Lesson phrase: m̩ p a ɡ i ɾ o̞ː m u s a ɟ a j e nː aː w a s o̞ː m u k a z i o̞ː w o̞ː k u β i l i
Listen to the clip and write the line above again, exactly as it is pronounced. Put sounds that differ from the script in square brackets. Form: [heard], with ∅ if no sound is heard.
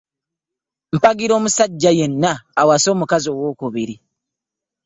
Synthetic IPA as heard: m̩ p a ɡ i ɾ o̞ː m u s a [ɟː] a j e nː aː w a s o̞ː m u k a z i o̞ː w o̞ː k u β i [ɾ] i